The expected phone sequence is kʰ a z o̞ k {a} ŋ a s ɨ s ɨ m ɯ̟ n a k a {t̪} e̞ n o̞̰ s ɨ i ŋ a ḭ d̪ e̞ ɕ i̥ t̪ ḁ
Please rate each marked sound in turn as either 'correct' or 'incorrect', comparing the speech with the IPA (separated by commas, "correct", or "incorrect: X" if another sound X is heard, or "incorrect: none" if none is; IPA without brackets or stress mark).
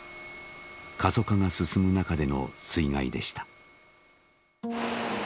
correct, incorrect: d̪